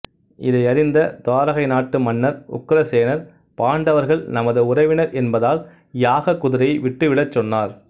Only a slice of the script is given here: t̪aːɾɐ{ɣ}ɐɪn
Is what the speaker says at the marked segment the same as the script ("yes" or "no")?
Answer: yes